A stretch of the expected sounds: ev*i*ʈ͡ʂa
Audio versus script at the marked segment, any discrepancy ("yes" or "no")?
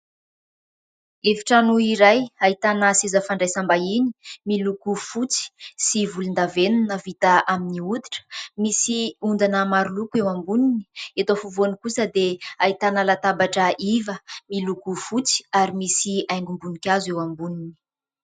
no